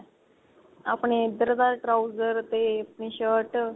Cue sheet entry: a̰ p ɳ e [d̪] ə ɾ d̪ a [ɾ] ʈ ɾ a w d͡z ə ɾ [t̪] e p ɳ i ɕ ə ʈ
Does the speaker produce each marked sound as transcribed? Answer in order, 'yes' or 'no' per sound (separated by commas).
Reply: yes, yes, yes